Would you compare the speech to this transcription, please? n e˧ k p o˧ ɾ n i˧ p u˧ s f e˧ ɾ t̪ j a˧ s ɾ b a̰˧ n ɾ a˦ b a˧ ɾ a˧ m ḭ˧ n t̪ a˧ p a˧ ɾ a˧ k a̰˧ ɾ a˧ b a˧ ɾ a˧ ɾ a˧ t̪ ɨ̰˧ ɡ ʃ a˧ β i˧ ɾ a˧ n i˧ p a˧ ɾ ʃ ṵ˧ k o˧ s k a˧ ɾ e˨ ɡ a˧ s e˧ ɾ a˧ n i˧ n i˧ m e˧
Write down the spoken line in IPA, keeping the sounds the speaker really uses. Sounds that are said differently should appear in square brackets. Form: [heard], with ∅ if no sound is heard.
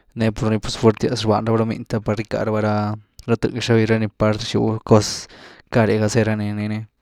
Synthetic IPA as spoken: n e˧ [∅] p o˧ ɾ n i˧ p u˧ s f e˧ ɾ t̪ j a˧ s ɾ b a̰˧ n ɾ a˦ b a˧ ɾ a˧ m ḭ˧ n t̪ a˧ p a˧ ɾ [i˧] k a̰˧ ɾ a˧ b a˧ ɾ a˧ ɾ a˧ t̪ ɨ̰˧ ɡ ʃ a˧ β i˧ ɾ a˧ n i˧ p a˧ ɾ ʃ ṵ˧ k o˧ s k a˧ ɾ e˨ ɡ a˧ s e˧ ɾ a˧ n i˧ n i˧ [n] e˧